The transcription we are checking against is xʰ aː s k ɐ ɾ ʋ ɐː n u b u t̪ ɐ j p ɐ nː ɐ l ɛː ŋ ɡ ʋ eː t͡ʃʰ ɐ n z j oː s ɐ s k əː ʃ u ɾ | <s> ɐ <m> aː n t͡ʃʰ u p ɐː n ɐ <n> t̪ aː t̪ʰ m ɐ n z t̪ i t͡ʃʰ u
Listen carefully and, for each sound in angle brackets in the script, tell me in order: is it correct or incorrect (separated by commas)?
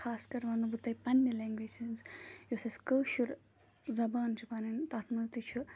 incorrect, incorrect, correct